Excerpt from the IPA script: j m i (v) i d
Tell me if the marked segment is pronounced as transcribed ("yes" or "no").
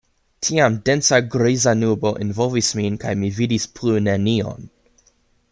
yes